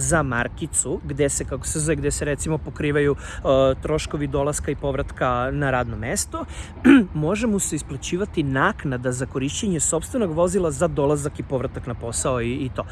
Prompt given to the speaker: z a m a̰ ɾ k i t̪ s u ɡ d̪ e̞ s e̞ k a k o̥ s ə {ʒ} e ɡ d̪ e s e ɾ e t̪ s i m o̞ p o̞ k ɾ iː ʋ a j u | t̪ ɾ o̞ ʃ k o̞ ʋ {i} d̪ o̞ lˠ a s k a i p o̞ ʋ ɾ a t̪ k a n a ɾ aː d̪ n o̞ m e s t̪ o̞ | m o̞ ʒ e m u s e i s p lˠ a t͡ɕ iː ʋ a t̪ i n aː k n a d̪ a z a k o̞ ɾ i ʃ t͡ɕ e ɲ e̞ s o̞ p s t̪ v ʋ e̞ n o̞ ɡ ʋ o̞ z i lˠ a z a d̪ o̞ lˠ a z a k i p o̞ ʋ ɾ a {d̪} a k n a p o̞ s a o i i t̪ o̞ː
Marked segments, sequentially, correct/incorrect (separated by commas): incorrect, correct, incorrect